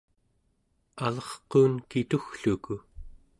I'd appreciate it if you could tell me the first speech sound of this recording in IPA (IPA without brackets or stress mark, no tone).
a